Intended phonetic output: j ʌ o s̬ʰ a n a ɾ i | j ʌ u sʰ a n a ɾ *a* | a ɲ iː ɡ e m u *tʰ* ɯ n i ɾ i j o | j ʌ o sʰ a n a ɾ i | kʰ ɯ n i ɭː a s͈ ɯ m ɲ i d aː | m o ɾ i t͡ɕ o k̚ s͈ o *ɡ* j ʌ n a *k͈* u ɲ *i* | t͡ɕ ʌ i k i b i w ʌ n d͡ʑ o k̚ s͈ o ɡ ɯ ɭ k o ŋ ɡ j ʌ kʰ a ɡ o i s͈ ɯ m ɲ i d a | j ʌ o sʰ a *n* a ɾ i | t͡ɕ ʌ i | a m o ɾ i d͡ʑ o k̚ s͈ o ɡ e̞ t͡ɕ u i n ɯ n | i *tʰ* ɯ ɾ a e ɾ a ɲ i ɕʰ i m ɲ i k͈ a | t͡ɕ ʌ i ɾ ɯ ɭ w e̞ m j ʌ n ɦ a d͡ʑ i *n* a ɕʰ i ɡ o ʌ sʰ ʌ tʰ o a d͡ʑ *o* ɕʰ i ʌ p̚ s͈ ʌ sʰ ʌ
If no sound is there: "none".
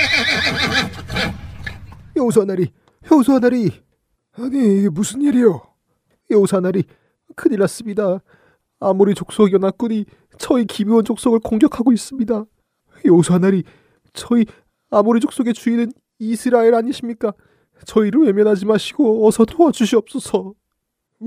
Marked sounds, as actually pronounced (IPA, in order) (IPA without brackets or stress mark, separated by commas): i, sʰ, ɡ, k͈, i, n, sʰ, m, u